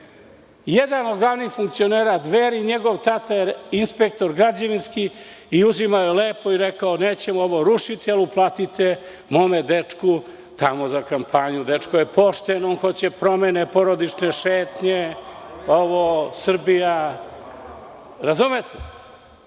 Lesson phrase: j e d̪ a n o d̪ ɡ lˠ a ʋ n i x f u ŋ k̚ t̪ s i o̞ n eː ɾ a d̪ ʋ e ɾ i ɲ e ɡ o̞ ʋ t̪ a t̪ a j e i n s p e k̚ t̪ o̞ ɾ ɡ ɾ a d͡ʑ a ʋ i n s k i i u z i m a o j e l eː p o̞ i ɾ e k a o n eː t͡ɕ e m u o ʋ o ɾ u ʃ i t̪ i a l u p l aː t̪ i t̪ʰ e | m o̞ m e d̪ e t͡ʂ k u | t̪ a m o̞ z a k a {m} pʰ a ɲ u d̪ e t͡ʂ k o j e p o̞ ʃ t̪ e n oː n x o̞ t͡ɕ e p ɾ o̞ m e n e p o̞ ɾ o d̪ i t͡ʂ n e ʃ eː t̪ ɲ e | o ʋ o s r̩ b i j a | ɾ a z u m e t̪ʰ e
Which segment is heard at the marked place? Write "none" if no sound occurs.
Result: m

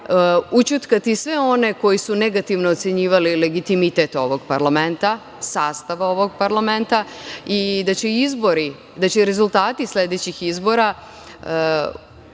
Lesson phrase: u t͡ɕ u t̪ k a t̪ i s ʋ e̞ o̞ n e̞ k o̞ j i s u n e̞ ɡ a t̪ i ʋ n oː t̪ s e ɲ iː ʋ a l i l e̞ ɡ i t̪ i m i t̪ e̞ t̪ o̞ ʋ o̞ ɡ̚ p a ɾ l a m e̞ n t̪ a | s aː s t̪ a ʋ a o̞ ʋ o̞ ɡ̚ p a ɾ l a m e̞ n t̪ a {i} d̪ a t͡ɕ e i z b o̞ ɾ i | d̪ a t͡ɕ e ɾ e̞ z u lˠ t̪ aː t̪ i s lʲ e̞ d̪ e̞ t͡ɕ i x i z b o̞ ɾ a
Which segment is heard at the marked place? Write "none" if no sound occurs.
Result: i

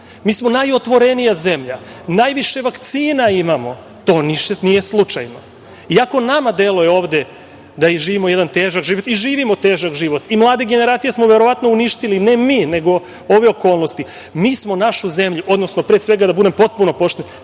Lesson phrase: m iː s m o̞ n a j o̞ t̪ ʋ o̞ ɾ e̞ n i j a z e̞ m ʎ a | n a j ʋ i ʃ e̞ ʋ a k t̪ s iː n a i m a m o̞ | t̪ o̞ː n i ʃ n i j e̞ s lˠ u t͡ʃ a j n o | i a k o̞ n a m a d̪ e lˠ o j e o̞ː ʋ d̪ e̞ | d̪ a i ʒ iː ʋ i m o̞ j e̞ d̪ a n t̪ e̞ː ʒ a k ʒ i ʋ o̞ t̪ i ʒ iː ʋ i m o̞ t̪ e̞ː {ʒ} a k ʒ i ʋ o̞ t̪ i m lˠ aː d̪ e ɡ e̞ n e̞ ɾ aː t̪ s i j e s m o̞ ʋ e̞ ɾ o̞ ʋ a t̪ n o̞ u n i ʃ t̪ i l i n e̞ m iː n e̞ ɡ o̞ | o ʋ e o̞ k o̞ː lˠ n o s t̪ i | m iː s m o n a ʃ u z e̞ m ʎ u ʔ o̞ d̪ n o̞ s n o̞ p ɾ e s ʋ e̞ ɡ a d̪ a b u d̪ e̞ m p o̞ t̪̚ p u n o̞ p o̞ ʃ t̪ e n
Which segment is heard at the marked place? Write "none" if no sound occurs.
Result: ʒ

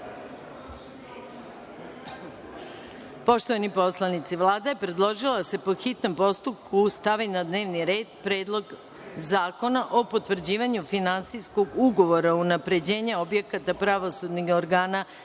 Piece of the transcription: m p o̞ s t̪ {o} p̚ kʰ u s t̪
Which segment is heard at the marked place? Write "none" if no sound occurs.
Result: u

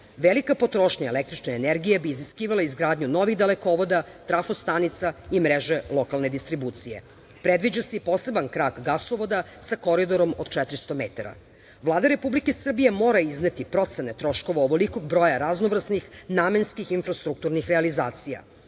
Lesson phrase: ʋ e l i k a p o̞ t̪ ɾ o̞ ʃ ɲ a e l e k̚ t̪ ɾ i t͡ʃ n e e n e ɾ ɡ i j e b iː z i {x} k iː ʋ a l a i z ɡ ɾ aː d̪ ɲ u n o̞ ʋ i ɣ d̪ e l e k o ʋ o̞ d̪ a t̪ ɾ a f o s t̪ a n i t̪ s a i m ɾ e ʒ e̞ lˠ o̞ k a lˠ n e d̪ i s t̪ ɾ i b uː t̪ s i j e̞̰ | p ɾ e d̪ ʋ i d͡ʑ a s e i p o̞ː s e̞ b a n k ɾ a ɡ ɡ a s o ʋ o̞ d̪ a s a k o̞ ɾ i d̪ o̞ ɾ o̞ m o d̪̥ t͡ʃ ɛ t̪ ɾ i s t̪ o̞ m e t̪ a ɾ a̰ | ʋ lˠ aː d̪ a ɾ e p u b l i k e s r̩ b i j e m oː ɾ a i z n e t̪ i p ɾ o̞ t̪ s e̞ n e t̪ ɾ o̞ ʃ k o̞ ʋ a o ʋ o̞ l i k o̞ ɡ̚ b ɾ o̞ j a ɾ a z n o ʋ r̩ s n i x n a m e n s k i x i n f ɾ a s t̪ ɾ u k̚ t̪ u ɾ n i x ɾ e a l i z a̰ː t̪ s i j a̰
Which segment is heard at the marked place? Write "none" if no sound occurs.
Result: s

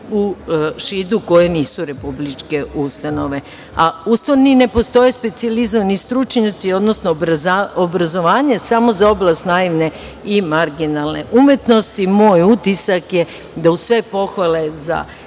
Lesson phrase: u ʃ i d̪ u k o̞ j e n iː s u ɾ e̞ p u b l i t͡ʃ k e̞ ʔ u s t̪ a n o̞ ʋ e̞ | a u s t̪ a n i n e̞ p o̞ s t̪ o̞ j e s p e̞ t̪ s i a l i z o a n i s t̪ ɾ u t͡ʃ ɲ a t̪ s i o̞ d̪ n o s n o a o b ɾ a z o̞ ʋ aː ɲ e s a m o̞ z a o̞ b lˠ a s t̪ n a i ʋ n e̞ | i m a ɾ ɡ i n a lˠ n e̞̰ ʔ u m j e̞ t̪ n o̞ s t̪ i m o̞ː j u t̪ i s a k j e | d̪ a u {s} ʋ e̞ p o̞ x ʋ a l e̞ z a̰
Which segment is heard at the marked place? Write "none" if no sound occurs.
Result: s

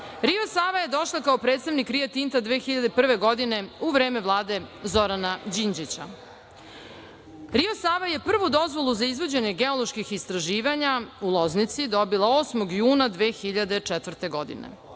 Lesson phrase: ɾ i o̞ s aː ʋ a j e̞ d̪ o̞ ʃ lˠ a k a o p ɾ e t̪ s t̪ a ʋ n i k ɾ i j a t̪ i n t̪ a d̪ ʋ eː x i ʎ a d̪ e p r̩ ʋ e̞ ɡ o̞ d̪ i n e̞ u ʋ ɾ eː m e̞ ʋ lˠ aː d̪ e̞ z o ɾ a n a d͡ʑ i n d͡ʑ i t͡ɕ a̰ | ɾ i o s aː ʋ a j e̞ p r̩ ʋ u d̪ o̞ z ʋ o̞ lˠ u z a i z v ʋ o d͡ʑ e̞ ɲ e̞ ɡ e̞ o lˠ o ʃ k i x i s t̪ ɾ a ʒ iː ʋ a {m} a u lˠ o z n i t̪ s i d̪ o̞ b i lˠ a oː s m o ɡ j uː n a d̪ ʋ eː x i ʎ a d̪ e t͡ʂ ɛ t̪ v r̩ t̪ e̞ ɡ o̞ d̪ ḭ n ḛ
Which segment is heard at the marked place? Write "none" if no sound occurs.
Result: ɲ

